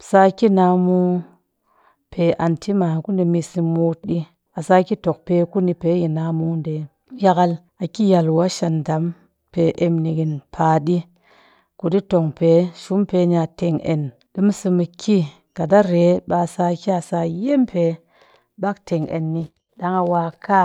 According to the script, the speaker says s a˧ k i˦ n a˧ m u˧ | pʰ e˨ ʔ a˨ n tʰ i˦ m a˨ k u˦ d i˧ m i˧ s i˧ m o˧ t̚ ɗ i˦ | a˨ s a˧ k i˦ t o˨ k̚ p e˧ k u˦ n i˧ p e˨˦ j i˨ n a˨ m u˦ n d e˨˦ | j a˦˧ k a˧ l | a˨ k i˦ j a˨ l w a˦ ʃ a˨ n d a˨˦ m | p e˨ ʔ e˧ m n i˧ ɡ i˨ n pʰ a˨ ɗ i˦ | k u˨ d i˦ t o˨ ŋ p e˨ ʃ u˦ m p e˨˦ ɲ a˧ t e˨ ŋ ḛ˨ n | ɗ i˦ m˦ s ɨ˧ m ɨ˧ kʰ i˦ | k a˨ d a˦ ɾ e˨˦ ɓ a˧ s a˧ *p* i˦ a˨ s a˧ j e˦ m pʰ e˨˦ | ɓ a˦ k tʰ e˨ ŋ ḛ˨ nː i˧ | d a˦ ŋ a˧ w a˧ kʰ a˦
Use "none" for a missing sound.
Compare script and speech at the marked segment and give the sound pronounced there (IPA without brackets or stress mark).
k